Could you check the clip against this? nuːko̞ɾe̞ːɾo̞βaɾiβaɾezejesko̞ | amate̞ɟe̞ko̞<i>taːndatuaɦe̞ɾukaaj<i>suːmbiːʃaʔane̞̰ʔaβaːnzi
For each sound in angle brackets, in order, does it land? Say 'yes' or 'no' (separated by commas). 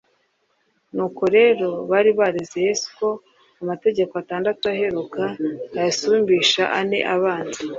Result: no, no